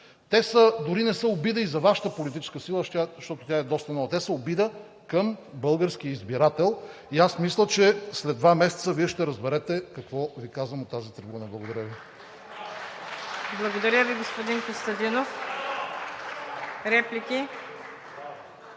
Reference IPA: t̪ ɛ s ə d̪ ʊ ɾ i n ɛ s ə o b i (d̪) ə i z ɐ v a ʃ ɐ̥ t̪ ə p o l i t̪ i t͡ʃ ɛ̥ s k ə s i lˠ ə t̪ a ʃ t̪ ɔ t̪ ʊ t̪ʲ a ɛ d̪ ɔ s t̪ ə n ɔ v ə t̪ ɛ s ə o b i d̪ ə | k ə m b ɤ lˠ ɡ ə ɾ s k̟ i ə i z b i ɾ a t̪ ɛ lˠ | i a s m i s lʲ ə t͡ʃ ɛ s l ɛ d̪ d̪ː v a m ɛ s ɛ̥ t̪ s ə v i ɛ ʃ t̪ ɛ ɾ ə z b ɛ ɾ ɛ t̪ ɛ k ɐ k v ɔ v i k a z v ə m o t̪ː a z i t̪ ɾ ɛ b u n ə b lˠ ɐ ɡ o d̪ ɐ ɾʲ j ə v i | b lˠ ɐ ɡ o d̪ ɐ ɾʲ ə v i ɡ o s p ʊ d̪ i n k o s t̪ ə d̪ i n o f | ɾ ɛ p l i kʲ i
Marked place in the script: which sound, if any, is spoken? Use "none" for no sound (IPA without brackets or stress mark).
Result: d̪